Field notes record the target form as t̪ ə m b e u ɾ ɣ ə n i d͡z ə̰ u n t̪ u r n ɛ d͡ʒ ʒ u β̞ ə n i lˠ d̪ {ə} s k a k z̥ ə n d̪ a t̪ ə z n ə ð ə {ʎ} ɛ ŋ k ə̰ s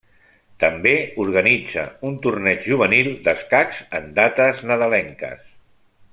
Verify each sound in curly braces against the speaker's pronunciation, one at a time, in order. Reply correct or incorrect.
correct, incorrect: l

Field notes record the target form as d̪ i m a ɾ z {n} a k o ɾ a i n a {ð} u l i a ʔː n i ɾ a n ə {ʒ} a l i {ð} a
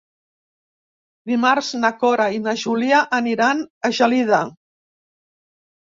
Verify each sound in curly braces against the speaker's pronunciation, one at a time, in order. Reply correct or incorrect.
correct, incorrect: ʒ, correct, correct

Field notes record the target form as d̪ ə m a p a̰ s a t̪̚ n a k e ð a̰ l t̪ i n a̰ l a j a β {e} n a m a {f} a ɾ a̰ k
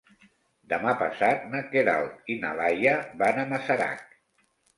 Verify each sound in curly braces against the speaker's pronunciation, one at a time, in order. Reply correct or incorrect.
incorrect: a, incorrect: s

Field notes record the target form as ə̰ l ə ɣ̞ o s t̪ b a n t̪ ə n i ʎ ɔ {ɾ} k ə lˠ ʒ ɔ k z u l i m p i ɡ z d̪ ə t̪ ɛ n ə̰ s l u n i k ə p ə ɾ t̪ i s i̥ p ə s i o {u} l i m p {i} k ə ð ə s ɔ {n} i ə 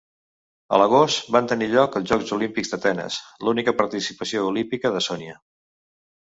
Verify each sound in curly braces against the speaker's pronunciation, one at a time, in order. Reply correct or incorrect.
incorrect: none, correct, correct, correct

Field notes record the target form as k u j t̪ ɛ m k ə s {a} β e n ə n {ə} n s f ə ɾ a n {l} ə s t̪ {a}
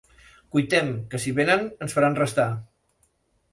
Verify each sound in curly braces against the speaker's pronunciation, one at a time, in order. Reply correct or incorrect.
incorrect: i, correct, incorrect: r, correct

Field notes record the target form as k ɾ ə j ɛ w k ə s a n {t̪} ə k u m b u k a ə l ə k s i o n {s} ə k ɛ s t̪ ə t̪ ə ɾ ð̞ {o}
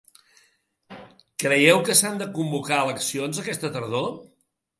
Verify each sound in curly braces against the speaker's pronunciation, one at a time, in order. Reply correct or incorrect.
incorrect: d̪, incorrect: z, correct

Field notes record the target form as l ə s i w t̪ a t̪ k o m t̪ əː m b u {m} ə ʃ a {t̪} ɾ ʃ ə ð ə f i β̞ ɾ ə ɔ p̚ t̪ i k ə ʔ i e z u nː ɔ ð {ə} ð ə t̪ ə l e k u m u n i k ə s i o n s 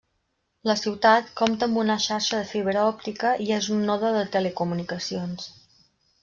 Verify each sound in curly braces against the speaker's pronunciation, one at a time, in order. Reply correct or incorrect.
incorrect: n, incorrect: none, correct

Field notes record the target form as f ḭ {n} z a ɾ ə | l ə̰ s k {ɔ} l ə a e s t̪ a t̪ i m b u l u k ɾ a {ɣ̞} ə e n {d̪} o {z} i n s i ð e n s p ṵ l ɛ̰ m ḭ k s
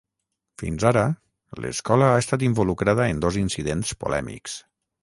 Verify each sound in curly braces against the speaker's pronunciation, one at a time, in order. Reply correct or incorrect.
correct, correct, incorrect: ð̞, correct, correct

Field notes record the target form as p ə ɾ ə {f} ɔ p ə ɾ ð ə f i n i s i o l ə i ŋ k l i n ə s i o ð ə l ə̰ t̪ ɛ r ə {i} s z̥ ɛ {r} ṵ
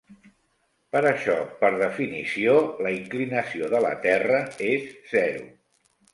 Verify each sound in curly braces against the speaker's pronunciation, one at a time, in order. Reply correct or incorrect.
incorrect: ʃ, incorrect: e, incorrect: ɾ

